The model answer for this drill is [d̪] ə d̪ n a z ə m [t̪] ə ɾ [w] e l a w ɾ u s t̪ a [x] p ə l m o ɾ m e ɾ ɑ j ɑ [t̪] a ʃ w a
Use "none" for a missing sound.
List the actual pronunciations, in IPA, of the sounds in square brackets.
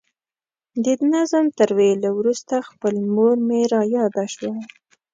d̪, t̪, w, x, d̪

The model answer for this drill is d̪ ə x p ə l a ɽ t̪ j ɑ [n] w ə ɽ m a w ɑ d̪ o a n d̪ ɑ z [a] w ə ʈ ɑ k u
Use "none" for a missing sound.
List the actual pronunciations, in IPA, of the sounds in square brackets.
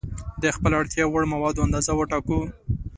none, a

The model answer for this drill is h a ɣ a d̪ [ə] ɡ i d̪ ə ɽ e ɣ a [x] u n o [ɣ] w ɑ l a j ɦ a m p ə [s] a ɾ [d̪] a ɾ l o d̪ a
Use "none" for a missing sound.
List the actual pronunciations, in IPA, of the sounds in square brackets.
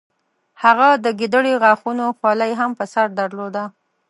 ə, x, x, s, d̪

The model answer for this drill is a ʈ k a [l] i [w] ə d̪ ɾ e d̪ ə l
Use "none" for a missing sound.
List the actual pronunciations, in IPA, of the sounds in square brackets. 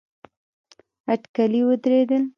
l, w

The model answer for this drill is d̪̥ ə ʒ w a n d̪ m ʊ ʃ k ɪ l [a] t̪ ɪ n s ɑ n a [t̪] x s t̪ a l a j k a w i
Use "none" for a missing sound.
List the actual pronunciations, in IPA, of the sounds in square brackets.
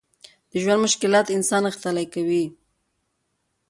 ɑ, none

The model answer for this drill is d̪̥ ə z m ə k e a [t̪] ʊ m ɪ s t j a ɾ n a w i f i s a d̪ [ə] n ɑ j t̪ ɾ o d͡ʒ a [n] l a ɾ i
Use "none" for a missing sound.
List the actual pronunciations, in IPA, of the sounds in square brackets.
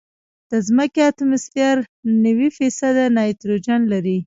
t̪, a, n

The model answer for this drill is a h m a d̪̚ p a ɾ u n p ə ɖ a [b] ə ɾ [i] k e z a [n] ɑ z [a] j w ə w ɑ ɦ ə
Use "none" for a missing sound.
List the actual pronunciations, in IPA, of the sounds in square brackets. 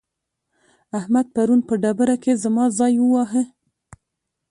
b, a, m, ɑ

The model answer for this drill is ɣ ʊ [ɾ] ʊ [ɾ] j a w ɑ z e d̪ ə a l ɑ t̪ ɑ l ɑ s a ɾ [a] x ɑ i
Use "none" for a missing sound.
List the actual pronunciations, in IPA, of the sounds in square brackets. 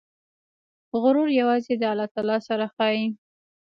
ɾ, ɾ, a

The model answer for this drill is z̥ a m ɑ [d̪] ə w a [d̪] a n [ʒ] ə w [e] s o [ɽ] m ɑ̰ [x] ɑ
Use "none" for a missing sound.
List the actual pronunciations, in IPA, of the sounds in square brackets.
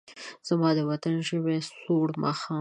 d̪, t̪, ʒ, e, ɽ, x

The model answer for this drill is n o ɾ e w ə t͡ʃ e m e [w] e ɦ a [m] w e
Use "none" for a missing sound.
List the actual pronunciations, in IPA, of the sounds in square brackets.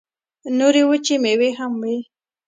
w, m

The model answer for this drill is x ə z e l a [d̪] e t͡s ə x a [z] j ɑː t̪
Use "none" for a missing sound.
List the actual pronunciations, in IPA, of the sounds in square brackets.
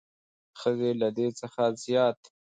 d̪, z

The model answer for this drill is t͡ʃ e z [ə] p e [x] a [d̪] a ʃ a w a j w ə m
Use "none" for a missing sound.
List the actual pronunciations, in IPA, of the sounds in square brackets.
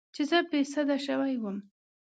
ə, s, d̪

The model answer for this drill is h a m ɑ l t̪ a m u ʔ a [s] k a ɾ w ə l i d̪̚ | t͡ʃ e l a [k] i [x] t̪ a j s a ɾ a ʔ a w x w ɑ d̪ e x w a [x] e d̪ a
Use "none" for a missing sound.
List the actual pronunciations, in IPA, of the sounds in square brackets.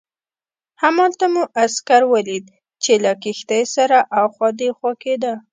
s, k, x, k

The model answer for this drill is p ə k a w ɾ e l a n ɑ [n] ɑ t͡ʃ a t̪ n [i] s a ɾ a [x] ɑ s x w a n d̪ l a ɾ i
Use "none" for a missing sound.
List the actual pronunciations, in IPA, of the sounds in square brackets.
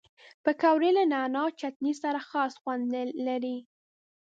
n, i, x

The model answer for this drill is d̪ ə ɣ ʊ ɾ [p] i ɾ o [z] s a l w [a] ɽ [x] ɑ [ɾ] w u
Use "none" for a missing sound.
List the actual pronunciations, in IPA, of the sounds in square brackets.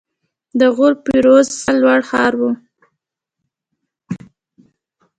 p, z, a, x, ɾ

